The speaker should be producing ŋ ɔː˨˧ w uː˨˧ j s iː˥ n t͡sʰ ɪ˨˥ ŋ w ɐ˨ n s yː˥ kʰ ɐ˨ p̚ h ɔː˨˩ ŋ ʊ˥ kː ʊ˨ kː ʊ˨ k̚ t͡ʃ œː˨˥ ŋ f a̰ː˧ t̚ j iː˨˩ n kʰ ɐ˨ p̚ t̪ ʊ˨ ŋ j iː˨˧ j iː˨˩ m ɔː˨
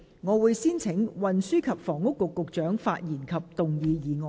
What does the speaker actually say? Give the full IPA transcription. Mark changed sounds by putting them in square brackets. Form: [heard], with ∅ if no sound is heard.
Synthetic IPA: ŋ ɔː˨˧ w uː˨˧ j s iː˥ n t͡sʰ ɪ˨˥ ŋ w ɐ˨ n s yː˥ kʰ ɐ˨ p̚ [f] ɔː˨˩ ŋ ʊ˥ kː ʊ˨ kː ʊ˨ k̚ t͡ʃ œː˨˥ ŋ f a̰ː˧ t̚ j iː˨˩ n kʰ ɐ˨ p̚ t̪ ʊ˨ ŋ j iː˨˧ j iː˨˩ [ŋ] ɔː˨